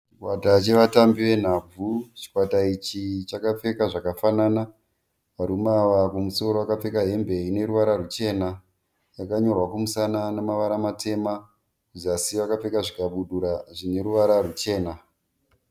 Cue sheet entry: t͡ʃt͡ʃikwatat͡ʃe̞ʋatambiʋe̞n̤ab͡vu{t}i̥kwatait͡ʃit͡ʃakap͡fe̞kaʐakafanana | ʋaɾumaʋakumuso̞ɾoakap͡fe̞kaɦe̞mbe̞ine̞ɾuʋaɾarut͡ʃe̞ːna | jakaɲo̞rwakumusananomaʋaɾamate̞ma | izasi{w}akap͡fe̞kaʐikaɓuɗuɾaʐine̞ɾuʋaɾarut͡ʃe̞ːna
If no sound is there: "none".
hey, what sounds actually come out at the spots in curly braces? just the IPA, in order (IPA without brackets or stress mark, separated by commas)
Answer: t͡ʃ, ʋ